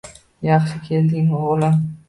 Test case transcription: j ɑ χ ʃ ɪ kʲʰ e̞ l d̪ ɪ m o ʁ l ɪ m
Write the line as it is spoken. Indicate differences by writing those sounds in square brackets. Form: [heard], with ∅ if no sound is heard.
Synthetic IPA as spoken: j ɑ χ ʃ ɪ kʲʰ e̞ l d̪ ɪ [ŋ] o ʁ l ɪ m